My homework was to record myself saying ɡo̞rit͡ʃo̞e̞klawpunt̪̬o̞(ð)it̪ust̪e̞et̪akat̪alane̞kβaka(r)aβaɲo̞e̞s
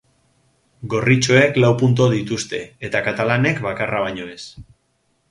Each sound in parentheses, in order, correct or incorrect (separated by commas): correct, correct